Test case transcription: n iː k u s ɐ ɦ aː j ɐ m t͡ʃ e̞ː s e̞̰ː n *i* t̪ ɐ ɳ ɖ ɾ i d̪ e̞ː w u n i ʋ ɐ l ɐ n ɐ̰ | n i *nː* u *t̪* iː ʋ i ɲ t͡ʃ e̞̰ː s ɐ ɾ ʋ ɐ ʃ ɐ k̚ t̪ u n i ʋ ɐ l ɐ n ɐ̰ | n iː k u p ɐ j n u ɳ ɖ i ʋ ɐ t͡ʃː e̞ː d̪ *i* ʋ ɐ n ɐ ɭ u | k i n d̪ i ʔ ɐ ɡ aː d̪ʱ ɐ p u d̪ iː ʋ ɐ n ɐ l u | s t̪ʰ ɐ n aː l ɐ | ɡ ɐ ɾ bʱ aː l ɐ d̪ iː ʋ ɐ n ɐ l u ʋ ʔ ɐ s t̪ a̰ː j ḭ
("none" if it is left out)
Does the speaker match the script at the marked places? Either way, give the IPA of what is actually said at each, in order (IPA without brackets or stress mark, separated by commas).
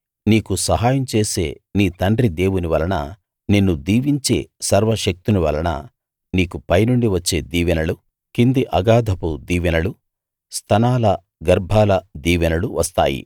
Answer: iː, nː, d̪, iː